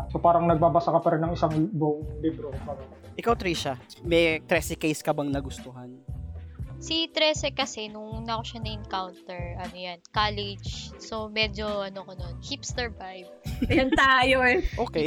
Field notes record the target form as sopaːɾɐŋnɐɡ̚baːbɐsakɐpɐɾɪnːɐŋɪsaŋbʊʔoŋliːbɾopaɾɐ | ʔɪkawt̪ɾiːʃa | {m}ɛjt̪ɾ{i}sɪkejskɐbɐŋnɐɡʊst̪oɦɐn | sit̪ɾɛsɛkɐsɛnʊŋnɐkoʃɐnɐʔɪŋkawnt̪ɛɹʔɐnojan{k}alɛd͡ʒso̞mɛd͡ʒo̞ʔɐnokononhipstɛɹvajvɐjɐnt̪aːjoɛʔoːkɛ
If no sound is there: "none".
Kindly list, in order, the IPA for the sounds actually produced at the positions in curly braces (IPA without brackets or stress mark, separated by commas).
m, ɛ, k